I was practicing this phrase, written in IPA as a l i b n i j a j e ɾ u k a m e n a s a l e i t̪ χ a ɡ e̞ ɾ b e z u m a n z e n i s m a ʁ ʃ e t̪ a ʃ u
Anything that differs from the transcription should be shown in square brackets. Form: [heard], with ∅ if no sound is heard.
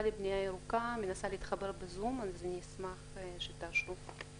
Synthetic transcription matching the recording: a l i b n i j a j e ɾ u k a m e n a s a l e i t̪ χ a [b] e̞ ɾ b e z u m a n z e n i s m a [χ] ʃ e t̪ a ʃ u